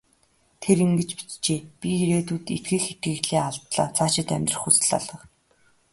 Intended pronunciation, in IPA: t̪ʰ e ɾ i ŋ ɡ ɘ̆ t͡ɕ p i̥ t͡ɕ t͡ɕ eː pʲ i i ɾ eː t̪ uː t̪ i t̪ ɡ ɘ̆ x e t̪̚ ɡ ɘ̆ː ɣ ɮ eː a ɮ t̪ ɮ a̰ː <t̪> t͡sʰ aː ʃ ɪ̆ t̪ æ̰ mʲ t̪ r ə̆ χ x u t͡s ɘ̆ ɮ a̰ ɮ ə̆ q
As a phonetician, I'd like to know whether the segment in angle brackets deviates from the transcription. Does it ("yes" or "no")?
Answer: yes